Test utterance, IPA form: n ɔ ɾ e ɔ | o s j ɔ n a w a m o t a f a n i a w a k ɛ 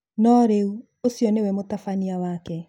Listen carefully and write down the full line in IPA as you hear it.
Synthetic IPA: n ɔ ɾ e u | o s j ɔ n e w ɛ m o t a f a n i a w a k ɛ